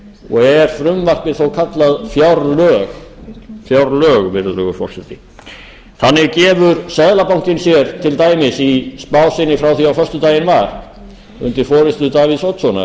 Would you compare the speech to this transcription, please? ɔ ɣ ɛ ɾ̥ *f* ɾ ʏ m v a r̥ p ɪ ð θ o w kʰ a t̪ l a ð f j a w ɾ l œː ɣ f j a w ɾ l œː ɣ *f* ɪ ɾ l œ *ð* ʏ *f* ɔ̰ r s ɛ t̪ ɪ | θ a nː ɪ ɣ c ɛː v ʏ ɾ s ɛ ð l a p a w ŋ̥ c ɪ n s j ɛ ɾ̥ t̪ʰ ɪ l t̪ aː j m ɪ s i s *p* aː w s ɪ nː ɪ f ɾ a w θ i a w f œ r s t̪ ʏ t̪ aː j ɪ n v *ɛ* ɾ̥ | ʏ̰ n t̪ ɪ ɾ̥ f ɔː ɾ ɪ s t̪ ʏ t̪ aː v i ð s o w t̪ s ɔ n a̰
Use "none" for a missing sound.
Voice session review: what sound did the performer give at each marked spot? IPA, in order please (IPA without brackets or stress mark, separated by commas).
f, v, ɣ, f, p, a